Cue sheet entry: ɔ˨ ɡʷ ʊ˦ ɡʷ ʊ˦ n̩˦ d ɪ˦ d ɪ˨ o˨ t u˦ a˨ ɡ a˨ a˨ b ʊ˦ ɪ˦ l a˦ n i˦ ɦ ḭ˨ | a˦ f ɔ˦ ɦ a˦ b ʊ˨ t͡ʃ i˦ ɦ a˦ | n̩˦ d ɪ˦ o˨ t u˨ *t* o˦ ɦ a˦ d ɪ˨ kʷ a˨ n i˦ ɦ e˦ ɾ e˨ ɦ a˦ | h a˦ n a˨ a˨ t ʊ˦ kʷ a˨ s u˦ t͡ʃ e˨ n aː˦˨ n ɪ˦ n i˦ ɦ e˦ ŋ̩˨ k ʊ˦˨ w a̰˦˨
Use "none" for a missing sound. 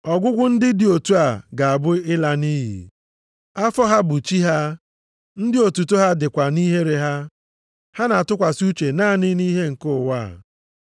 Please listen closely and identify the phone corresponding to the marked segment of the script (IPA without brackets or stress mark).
t